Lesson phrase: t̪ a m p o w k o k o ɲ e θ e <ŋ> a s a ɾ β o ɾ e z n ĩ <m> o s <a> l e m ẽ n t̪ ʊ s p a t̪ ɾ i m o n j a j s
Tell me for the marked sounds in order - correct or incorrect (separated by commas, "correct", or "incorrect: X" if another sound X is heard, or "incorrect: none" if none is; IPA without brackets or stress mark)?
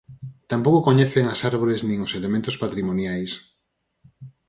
correct, incorrect: ŋ, incorrect: e